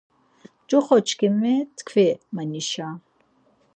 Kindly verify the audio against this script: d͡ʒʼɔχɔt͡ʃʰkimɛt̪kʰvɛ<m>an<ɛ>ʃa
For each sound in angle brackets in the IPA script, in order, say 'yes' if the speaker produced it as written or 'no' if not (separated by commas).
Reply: yes, no